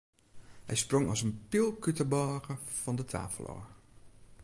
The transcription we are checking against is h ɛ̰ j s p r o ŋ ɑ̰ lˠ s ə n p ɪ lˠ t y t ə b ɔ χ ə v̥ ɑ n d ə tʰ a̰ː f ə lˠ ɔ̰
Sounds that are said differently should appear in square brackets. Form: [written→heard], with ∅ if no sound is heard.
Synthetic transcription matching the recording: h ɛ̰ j s p r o ŋ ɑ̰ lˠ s ə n p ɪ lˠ [t→k] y t ə b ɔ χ ə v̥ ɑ n d ə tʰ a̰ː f ə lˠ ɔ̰